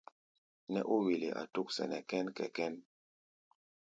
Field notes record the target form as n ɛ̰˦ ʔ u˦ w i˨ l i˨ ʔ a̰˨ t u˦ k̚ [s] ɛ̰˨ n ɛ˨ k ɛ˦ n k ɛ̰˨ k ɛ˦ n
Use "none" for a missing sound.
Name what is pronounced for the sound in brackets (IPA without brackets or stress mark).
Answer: s